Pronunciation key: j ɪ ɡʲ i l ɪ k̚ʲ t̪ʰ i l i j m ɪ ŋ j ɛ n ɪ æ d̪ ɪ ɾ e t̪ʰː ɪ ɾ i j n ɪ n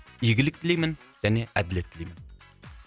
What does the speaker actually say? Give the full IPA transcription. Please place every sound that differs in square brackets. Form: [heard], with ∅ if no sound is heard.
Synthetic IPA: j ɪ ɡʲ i l ɪ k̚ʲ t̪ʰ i l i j m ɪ [n] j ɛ n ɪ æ d̪ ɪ [l] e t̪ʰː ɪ [l] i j [m] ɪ n